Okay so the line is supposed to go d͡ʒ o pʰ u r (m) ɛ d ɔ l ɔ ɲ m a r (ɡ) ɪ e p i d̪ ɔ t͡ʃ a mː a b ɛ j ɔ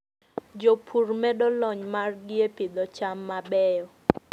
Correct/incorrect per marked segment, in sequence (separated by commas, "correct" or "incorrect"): correct, correct